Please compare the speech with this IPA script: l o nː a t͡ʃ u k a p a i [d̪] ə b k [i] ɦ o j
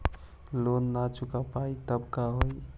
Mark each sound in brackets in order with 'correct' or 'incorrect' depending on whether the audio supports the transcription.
incorrect: t̪, incorrect: a

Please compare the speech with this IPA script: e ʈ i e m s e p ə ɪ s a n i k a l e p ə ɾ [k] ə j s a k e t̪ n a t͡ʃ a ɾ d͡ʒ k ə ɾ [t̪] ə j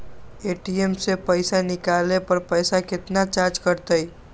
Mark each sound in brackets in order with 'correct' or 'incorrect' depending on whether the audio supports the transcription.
incorrect: p, correct

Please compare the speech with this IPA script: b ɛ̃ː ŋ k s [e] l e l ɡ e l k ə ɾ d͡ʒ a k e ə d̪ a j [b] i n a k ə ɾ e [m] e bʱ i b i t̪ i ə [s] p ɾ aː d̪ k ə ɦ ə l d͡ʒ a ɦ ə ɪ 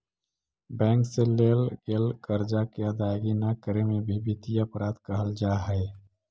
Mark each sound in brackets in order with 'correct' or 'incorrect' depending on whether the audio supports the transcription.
correct, incorrect: ɡ, correct, incorrect: none

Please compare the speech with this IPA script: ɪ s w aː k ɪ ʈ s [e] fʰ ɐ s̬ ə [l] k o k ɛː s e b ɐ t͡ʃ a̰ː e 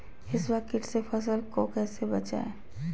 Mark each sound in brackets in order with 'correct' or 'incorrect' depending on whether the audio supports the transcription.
correct, correct

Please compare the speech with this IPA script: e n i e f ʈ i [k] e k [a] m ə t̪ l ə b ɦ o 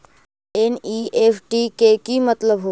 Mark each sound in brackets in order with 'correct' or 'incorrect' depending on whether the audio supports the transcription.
correct, incorrect: i

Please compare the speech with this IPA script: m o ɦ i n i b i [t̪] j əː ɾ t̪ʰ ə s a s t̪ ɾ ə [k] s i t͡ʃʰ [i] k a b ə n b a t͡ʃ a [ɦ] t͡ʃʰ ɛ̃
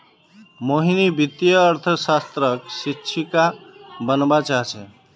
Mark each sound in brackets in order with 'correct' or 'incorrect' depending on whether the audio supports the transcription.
correct, correct, correct, correct

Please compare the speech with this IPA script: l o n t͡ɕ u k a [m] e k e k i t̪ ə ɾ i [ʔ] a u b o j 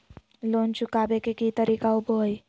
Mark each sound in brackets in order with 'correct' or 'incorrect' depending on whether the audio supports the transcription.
incorrect: b, incorrect: k

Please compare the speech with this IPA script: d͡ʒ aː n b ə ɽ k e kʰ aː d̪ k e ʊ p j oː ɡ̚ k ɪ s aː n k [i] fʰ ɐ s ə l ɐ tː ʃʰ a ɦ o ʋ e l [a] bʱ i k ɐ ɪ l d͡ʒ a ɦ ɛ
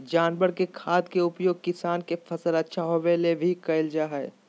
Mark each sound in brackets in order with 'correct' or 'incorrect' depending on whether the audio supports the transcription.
incorrect: e, incorrect: e

